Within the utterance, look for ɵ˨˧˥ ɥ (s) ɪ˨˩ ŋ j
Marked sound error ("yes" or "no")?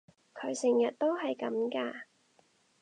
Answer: no